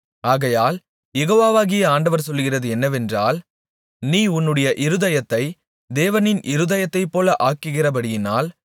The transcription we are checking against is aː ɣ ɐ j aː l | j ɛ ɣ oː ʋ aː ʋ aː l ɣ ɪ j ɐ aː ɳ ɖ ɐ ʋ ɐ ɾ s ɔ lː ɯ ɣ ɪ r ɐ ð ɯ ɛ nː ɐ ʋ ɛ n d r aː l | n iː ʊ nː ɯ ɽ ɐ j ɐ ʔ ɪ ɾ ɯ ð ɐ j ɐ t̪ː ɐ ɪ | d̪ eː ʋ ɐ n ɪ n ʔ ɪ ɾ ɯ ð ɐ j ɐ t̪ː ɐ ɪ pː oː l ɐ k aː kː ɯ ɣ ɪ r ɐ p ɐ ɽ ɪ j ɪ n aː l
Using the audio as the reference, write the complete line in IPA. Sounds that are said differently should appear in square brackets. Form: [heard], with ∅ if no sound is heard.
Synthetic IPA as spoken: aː ɣ ɐ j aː l | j ɛ ɣ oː ʋ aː ʋ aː [∅] ɣ ɪ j ɐ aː ɳ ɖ ɐ ʋ ɐ ɾ s ɔ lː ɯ ɣ ɪ r ɐ ð ɯ ɛ nː ɐ ʋ ɛ n d r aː l | n iː ʊ nː ɯ ɽ ɐ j ɐ ʔ ɪ ɾ ɯ ð ɐ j ɐ t̪ː ɐ ɪ | d̪ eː ʋ ɐ n ɪ n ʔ ɪ ɾ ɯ ð ɐ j ɐ t̪ː ɐ ɪ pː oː l ɐ [ʔ] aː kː ɯ ɣ ɪ r ɐ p ɐ ɽ ɪ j ɪ n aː l